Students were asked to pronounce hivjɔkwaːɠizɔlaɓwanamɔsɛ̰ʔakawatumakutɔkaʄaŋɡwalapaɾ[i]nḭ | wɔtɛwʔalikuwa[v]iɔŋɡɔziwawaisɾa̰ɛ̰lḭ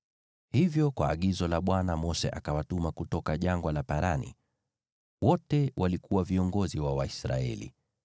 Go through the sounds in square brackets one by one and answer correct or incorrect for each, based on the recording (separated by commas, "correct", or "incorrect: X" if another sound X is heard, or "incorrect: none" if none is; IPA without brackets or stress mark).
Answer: incorrect: a, correct